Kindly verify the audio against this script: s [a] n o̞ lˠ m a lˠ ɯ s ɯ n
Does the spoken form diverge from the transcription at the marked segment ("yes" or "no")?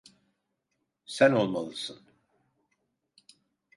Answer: yes